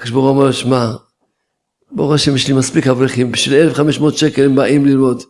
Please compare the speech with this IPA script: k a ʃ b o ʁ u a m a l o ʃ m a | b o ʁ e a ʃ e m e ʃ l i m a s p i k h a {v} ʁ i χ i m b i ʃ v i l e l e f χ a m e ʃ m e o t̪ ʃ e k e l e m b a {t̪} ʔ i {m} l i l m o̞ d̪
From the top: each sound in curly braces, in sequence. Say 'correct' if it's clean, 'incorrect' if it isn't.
correct, incorrect: none, correct

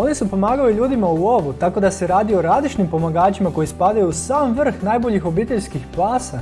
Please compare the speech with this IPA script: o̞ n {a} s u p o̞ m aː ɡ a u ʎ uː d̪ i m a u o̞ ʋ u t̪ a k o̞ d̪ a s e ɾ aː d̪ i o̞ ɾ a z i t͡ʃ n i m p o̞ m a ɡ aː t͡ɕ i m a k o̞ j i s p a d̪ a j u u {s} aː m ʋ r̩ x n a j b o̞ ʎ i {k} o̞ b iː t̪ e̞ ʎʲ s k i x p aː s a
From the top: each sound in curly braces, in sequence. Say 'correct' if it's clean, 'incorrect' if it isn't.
incorrect: i, correct, incorrect: x

